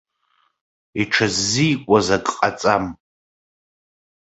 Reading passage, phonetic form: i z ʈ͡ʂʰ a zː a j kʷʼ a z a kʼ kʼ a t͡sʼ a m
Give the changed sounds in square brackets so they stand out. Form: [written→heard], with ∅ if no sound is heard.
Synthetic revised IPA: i [z→∅] ʈ͡ʂʰ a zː [a→i] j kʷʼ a z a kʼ [kʼ→qʼ] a t͡sʼ a m